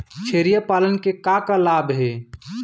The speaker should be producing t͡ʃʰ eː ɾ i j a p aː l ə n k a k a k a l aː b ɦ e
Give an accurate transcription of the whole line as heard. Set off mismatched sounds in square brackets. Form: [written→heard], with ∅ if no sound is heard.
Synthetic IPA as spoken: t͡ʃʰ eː ɾ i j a p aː l ə n k [a→e] k a k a l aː b ɦ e